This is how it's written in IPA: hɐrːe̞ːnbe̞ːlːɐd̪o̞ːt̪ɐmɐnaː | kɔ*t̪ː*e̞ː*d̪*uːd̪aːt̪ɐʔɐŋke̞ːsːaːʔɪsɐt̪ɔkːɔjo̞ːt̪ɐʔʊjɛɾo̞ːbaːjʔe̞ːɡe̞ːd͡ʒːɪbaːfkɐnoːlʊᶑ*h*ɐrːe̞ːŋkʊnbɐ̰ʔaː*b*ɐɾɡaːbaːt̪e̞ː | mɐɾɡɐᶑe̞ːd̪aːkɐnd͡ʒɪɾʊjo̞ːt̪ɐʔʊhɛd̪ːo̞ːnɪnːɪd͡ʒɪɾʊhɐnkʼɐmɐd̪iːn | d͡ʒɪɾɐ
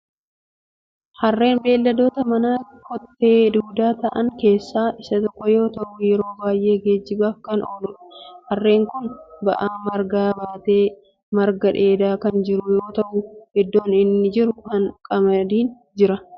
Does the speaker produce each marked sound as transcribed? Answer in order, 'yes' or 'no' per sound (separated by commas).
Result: yes, yes, yes, no